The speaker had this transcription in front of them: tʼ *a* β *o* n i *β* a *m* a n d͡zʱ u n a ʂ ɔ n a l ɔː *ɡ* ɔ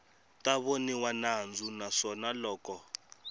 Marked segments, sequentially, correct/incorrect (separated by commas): correct, correct, incorrect, incorrect, incorrect